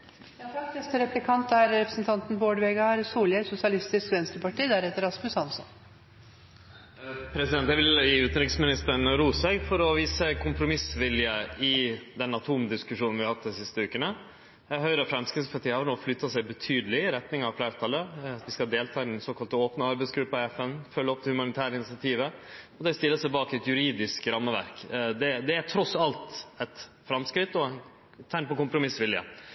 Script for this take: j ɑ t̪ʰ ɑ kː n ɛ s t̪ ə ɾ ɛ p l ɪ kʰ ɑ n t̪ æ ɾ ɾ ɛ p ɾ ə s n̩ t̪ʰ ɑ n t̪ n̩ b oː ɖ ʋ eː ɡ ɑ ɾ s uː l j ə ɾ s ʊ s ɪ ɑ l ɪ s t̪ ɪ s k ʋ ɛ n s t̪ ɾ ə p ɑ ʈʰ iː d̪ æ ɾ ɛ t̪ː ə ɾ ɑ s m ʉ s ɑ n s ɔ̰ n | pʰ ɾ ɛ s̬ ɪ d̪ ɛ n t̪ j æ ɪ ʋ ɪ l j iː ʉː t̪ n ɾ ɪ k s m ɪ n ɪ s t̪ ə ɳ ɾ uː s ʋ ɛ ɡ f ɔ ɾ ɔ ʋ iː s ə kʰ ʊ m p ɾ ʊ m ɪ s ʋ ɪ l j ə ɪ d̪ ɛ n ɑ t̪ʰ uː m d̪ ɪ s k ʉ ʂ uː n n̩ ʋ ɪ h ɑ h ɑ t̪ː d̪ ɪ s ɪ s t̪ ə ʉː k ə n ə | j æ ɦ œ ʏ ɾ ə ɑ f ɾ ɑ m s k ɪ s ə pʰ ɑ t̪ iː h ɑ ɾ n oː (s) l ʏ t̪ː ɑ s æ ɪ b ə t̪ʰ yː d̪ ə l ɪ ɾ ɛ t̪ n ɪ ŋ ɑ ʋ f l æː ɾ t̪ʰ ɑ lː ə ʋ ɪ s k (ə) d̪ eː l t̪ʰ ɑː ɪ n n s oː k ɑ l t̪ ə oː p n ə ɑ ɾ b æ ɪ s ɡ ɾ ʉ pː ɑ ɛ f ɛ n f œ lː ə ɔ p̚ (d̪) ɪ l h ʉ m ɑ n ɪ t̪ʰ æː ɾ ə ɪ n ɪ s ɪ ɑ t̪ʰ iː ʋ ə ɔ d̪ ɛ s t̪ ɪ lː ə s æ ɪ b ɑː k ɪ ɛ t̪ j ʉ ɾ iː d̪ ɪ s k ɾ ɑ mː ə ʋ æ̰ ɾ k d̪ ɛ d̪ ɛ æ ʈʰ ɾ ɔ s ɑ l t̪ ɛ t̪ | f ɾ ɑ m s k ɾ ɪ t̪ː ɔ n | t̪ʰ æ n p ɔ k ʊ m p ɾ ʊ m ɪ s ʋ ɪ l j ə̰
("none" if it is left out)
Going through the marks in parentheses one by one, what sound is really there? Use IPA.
f, ɑ, t̪

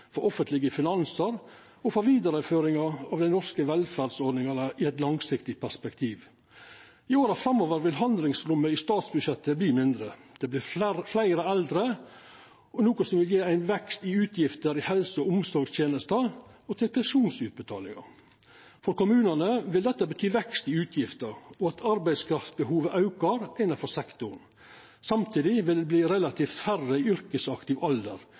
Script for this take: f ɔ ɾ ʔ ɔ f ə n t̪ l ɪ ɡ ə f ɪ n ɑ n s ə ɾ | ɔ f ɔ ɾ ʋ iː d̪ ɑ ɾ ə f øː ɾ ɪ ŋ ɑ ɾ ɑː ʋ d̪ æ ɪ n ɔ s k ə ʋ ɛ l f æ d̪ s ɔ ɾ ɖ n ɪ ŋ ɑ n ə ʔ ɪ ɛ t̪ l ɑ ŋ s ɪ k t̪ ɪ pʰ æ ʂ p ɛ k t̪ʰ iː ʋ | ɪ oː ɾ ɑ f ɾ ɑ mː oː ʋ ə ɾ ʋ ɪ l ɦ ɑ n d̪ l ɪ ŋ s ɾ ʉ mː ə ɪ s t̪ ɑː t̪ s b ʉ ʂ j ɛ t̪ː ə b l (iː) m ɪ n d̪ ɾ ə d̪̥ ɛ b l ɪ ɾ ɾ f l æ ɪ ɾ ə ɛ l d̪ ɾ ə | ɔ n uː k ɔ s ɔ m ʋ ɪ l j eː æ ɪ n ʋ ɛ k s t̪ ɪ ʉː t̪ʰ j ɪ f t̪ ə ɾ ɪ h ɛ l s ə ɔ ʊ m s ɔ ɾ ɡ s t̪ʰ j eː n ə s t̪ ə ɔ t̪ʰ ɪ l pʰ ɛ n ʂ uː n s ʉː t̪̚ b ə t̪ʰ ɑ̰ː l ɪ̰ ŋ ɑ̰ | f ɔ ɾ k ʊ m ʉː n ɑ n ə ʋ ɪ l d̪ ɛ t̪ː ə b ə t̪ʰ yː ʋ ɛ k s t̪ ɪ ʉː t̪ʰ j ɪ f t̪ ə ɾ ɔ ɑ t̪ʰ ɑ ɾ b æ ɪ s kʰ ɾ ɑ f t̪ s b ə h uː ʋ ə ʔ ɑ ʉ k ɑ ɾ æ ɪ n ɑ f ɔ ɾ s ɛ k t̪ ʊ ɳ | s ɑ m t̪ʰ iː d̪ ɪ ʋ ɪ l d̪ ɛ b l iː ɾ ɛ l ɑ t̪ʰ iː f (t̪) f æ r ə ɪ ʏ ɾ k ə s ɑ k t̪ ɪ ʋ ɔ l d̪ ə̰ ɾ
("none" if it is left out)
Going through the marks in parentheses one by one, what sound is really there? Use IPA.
iː, t̪

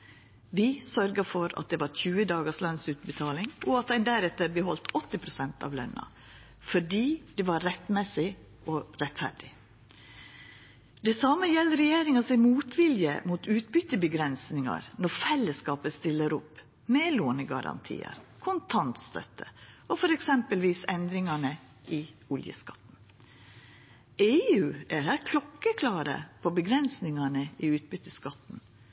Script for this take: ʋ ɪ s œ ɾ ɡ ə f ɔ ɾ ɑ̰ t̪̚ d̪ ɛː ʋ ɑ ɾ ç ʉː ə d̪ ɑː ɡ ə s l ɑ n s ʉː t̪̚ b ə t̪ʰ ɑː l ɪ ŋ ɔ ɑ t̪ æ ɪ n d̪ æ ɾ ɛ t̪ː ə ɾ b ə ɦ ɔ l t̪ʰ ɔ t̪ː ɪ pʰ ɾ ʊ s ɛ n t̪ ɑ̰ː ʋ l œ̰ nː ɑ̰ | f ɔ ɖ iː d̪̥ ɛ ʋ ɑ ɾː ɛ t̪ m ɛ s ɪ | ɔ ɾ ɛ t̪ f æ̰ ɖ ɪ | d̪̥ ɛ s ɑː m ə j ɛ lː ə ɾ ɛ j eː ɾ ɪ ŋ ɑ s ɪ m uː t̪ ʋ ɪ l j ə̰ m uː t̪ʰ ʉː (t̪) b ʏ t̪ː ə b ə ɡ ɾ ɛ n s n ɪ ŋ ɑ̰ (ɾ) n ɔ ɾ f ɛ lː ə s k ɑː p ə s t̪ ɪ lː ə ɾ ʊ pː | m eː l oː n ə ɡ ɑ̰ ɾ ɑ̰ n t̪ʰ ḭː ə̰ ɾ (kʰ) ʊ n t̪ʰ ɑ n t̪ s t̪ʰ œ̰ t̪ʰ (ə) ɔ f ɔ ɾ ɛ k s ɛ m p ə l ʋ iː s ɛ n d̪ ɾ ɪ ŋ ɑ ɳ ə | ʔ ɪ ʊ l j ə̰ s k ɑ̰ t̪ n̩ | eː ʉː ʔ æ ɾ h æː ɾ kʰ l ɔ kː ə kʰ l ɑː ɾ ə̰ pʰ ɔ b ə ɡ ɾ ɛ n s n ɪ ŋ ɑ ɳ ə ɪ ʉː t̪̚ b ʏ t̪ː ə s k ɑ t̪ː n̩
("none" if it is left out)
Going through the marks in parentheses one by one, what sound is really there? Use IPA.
t̪, ɾ, kʰ, ə

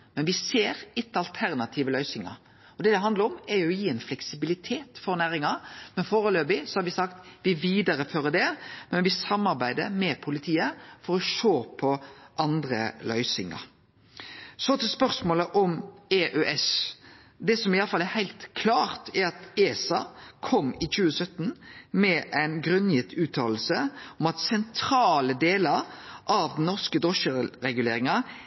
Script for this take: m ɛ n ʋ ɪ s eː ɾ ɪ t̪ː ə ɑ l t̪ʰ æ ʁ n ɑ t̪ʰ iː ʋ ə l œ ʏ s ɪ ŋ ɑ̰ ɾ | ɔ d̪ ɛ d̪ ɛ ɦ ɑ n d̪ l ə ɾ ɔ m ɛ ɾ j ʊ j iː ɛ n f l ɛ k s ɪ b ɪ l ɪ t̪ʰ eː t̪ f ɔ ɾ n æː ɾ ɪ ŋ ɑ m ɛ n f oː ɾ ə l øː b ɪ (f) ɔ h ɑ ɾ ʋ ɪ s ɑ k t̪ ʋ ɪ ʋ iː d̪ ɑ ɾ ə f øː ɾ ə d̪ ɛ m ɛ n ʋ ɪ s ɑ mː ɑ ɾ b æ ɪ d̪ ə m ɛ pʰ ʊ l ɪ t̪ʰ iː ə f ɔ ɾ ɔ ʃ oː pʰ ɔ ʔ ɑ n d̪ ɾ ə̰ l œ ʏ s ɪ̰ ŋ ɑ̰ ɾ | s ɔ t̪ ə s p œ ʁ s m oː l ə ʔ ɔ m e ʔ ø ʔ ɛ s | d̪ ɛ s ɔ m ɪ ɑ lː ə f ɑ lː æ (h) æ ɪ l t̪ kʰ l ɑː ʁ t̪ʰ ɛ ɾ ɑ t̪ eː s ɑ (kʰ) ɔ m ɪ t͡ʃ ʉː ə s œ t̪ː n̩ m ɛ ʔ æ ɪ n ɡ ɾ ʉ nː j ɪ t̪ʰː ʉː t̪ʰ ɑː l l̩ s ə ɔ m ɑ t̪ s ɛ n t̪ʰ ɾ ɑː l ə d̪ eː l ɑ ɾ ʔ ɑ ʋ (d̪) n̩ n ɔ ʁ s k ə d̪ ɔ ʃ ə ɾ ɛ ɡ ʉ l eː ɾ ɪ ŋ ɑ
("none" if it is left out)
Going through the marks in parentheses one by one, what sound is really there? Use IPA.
s, h, kʰ, d̪

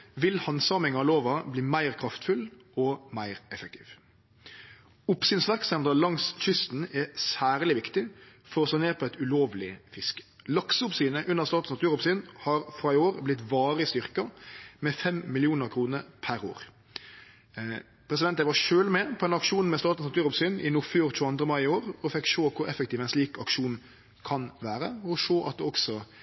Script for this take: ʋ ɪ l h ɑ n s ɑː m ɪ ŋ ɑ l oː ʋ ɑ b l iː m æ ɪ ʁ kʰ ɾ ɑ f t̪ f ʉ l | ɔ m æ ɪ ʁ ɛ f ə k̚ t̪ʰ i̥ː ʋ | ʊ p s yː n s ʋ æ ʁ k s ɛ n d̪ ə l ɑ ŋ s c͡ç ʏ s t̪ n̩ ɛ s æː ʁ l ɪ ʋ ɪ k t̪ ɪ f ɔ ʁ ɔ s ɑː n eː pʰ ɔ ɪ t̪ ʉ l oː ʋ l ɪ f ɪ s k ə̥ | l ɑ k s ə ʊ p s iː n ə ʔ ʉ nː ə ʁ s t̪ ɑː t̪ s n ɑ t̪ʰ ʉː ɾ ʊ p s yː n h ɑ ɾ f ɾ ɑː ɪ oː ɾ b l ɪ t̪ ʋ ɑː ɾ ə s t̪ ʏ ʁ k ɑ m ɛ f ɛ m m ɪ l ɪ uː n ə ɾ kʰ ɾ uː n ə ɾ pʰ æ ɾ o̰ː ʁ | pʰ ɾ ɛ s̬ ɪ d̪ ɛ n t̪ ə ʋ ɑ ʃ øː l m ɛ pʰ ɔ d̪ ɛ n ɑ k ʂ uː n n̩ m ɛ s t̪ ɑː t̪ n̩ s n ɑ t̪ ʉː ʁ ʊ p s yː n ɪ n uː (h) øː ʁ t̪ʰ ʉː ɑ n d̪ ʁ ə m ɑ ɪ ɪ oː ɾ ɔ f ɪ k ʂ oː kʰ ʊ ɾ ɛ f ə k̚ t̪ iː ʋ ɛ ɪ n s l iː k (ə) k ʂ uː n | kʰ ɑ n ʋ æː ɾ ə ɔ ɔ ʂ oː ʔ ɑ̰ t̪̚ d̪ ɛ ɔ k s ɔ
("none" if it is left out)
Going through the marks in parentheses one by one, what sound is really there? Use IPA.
f, ɑ

